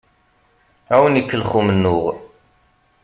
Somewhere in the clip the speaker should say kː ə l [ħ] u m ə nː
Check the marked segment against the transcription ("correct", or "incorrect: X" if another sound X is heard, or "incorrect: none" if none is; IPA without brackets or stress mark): incorrect: χ